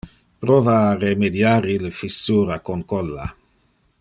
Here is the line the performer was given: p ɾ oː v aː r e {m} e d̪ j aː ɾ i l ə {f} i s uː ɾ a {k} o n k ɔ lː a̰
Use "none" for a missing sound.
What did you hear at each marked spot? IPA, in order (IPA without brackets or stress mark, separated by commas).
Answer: m, f, k